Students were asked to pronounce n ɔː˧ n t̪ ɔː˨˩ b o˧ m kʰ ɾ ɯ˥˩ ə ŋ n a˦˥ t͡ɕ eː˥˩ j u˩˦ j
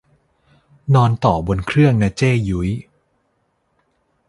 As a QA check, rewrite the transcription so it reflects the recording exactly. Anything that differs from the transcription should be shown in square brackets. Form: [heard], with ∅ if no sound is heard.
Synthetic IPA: n ɔː˧ n t̪ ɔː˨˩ b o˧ [n] kʰ ɾ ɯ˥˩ ə ŋ n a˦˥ t͡ɕ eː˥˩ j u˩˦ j